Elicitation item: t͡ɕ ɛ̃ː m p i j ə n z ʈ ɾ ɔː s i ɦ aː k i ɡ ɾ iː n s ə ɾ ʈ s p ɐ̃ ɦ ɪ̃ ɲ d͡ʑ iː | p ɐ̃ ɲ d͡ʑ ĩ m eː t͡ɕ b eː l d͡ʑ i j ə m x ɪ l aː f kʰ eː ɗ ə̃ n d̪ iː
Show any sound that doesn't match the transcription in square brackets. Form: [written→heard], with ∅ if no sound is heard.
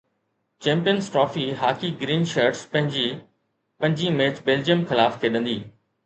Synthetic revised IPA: t͡ɕ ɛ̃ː m p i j ə n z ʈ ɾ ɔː [s→f] i ɦ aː k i ɡ ɾ iː n [s→ʃ] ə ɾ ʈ s p ɐ̃ ɦ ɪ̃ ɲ d͡ʑ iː | p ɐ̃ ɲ d͡ʑ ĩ m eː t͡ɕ b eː l d͡ʑ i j ə m x ɪ l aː f kʰ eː ɗ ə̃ n d̪ iː